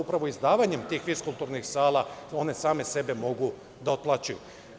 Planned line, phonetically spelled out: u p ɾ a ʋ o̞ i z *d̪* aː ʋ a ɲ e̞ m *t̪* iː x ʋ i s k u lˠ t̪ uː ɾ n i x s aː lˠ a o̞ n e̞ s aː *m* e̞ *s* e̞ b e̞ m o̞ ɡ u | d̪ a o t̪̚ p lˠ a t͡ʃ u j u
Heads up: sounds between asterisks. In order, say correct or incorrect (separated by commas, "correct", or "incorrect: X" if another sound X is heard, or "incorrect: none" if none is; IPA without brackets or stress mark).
correct, correct, correct, correct